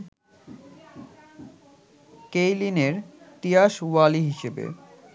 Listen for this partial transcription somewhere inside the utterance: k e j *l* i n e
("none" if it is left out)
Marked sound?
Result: l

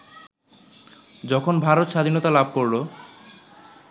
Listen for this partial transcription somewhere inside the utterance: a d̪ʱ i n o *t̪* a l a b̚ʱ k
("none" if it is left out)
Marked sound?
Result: t̪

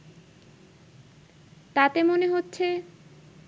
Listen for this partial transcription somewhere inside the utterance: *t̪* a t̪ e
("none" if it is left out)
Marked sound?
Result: t̪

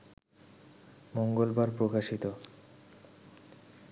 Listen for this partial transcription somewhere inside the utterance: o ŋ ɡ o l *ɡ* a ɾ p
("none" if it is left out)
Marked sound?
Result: b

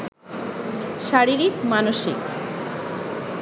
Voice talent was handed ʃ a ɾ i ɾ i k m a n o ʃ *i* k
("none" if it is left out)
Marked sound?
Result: i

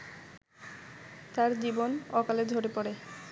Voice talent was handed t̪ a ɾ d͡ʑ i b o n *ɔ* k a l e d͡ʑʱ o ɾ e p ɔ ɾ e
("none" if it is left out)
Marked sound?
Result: ɔ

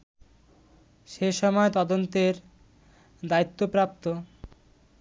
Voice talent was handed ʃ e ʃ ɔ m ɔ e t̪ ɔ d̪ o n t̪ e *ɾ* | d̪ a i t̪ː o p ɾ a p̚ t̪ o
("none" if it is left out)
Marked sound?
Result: ɾ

